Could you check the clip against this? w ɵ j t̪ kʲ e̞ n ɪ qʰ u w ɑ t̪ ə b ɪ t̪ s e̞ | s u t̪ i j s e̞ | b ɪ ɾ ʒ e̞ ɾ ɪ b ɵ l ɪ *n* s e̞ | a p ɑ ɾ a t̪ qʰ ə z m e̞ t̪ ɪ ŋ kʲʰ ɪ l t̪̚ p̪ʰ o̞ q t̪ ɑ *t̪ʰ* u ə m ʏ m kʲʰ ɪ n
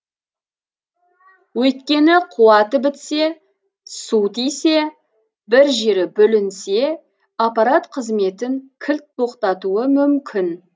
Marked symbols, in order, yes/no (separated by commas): yes, no